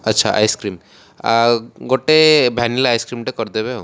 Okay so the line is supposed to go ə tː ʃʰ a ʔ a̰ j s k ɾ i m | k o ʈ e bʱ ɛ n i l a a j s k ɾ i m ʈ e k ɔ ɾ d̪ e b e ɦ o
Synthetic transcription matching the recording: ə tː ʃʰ a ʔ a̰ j s k ɾ i m | ɡ o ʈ e bʱ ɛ n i l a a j s k ɾ i m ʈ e k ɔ ɾ d̪ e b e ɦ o